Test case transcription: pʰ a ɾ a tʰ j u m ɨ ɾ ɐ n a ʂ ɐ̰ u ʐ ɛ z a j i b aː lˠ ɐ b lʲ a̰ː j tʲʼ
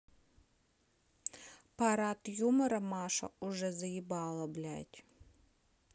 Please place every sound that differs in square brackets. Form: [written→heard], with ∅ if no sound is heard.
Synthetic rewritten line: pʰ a ɾ a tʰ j u m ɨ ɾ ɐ [n→m] a ʂ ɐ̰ u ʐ ɛ z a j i b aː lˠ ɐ b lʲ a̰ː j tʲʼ